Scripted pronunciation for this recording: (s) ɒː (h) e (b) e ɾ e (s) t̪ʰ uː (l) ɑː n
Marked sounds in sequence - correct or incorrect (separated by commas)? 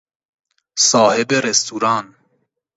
correct, correct, correct, correct, incorrect